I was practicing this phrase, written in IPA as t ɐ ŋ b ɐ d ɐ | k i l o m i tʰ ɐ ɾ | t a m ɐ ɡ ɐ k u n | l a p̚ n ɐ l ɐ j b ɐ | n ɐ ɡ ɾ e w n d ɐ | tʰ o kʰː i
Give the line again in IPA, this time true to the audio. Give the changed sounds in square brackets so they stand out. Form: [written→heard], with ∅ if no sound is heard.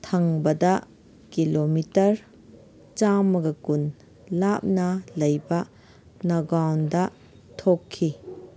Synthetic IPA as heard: [t→tʰ] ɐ ŋ b ɐ d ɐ | k i l o m i [tʰ→t] ɐ ɾ | [t→t͡ʃ] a m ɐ ɡ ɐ k u n | l a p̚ n ɐ l ɐ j b ɐ | n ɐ ɡ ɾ [e→a] w n d ɐ | tʰ o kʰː i